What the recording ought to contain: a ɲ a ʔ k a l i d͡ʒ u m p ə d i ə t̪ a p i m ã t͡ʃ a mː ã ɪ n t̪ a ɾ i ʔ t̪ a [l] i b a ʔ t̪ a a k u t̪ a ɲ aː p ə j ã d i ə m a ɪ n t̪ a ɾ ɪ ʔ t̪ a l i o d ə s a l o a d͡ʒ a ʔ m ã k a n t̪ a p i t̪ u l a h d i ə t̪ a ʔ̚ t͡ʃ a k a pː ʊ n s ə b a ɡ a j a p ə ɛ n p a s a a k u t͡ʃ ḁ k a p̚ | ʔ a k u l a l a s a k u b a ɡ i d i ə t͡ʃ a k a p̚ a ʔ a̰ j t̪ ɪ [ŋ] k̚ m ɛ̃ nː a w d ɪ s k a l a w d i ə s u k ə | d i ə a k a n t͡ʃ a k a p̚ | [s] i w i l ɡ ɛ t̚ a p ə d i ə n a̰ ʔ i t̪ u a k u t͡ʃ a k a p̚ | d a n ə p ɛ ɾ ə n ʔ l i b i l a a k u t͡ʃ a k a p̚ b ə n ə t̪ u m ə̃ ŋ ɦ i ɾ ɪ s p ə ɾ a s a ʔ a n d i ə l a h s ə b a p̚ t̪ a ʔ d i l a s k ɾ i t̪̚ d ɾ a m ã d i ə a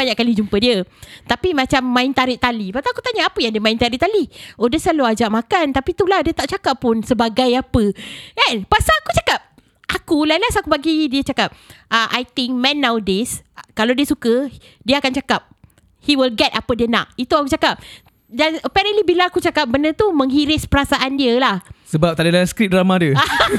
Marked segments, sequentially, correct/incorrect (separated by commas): correct, correct, incorrect